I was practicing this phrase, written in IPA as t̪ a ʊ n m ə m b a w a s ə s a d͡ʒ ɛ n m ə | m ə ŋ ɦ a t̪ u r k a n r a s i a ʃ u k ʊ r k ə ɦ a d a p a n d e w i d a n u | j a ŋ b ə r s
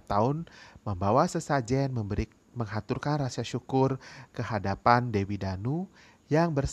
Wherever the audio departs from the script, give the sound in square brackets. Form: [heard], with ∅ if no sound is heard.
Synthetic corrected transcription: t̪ a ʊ n m ə m b a w a s ə s a d͡ʒ ɛ n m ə | m ə ŋ ɦ a t̪ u r k a n r a s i a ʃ u k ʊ r k ə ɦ a d a p a n d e w i d a n u | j a ŋ b ə r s